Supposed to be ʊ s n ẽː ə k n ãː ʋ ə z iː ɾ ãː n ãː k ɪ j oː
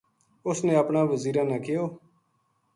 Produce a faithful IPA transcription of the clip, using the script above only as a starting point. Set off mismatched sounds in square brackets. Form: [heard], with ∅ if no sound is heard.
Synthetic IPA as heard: ʊ s n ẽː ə [p] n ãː ʋ ə z iː ɾ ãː n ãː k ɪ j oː

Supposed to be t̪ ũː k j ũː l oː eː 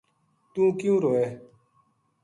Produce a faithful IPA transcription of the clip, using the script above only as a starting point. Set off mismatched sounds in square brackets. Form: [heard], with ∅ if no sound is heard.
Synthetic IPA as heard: t̪ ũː k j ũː [ɾ] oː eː

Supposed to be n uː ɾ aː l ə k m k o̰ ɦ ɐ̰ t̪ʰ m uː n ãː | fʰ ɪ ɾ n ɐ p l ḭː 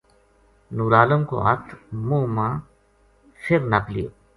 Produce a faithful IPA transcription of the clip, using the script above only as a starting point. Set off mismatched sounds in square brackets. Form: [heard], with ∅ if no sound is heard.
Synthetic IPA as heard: n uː ɾ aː l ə [∅] m k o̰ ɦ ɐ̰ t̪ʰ m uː [m] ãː | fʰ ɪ ɾ n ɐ p l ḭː

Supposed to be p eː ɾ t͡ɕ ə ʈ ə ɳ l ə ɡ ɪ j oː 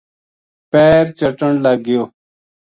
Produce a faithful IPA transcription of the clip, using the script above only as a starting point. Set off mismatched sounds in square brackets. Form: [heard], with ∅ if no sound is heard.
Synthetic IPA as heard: p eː ɾ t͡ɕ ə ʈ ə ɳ l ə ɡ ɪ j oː

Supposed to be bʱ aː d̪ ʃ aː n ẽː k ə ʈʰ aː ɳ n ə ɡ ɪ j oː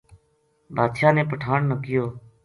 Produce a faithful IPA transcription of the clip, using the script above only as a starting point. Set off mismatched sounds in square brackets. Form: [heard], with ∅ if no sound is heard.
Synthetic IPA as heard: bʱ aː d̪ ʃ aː n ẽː [p] ə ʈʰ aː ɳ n ə [k] ɪ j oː

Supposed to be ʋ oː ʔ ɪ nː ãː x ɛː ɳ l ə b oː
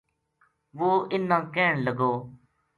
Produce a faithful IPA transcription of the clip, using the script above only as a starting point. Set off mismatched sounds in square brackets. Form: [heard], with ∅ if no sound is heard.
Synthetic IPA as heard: ʋ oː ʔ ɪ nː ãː [k] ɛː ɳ l ə [ɡ] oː

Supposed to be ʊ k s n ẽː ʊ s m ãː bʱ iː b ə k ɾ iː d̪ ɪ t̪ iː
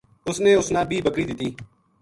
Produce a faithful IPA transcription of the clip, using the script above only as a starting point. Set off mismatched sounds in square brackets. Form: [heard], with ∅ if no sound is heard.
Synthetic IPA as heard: ʊ [∅] s n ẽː ʊ s [n] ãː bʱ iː b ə k ɾ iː d̪ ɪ t̪ iː

